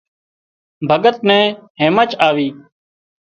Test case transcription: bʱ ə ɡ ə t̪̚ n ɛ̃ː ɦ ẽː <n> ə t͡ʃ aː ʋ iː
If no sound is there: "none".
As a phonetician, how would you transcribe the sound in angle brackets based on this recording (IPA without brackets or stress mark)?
m